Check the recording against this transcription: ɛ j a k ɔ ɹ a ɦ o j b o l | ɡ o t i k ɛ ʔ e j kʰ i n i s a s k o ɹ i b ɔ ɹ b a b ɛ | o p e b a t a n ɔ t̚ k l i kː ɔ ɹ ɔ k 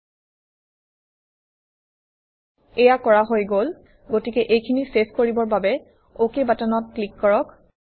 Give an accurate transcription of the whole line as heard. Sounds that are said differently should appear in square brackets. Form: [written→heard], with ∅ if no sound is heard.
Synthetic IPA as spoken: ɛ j a k ɔ ɹ a ɦ o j [b→ɡ] o l | ɡ o t i k ɛ ʔ e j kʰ i n i s [a→e] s k o ɹ i b ɔ ɹ b a b ɛ | o [p→k] e b a t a n ɔ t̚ k l i kː ɔ ɹ ɔ k